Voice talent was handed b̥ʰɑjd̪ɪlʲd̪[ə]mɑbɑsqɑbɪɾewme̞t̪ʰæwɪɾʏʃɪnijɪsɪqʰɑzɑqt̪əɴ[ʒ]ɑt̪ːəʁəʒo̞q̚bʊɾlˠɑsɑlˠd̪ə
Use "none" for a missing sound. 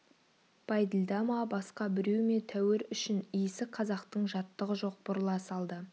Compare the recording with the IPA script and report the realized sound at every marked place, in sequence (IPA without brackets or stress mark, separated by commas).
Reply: ɑ, ʒ